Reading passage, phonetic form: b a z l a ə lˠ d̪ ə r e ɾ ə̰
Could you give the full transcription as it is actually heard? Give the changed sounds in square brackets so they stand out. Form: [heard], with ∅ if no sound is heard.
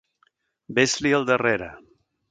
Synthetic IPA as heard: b [e] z l [i] ə lˠ d̪ ə r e ɾ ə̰